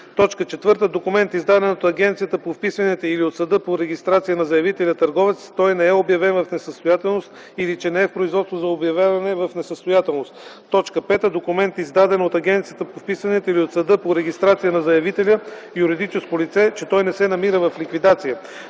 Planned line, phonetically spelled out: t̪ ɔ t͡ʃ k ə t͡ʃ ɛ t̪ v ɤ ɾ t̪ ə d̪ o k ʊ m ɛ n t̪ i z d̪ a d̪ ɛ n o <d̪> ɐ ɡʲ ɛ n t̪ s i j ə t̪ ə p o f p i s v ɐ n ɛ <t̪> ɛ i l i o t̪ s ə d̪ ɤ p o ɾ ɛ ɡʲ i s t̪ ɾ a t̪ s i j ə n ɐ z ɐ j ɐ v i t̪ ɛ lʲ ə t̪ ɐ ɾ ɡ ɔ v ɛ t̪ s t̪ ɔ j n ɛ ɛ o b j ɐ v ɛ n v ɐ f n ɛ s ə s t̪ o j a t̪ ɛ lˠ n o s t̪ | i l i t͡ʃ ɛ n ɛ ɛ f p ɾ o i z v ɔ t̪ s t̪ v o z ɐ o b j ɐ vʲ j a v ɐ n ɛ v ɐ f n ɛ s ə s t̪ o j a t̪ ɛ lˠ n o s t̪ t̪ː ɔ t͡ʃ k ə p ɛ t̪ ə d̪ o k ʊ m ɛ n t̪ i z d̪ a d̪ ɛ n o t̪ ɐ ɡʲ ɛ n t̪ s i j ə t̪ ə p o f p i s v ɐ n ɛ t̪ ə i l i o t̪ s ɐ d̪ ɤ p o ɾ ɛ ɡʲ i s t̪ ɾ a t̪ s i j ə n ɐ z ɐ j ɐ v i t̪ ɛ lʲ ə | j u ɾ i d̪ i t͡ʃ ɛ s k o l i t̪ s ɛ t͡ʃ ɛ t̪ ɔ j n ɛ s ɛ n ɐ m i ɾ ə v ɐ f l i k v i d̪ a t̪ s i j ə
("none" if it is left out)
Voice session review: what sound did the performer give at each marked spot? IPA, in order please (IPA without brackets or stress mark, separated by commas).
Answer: t̪, t̪